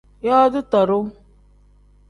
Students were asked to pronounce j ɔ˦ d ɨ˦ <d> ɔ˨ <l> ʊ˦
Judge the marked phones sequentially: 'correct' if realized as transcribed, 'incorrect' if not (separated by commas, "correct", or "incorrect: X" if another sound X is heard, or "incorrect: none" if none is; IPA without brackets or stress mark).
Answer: incorrect: t, incorrect: ɾ